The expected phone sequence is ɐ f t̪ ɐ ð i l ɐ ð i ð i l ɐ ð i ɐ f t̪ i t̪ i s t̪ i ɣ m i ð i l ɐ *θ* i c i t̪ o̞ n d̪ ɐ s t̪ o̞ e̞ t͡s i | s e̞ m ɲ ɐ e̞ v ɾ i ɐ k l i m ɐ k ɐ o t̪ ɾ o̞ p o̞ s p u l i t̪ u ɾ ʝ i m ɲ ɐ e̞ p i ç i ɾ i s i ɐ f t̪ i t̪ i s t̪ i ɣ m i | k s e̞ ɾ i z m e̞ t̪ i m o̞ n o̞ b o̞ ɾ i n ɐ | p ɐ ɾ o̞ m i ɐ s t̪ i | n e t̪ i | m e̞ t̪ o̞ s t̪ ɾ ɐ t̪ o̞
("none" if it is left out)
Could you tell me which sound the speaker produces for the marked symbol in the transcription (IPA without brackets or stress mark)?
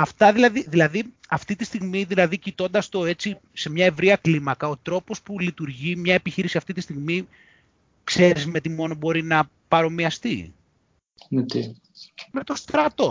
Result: ð